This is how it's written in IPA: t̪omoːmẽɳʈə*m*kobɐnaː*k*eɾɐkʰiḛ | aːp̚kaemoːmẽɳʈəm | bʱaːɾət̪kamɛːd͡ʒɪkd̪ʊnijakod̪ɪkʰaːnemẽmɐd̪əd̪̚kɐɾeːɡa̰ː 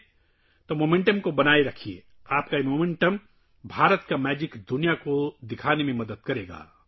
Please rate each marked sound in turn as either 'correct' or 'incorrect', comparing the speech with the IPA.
correct, incorrect: none

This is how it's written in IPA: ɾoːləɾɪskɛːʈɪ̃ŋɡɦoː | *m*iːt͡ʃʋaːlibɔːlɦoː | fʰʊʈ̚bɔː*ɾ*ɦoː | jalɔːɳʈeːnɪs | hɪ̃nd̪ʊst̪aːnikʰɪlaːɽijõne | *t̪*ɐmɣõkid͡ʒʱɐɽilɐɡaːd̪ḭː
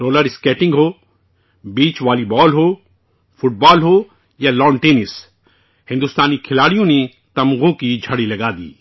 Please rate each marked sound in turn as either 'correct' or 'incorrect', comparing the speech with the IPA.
incorrect: b, incorrect: l, correct

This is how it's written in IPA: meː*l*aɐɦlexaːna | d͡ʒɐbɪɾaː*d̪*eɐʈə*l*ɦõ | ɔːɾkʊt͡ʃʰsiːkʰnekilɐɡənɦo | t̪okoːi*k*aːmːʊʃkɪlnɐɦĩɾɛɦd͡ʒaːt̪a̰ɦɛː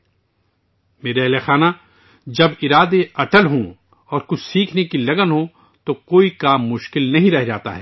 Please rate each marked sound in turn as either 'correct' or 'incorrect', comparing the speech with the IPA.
incorrect: ɾ, correct, correct, correct

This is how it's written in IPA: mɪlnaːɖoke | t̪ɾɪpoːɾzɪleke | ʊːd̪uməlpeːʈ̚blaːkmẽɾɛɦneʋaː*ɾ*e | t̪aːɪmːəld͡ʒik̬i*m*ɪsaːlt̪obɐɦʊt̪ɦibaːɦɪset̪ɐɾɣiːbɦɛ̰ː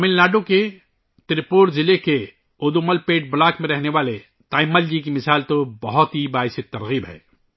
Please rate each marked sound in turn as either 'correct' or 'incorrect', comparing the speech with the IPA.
incorrect: l, correct

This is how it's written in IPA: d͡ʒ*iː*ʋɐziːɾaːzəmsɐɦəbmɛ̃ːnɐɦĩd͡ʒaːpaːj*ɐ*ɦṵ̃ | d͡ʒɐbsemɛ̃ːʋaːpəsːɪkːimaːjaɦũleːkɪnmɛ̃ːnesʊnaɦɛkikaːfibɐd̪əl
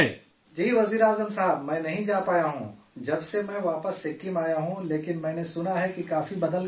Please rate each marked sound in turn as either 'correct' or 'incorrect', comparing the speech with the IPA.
correct, incorrect: a

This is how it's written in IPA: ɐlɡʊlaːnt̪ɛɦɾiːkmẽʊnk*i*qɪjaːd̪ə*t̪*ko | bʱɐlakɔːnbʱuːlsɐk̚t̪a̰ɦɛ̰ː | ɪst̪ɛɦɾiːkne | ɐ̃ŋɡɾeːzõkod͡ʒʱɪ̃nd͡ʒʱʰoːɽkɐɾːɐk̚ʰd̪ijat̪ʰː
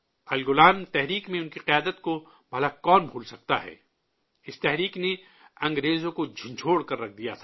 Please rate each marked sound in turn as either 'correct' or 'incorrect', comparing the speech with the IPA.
correct, correct

